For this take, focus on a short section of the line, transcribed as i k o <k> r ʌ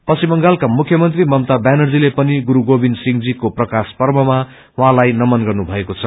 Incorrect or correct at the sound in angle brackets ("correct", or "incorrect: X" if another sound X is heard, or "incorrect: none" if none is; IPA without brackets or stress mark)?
incorrect: p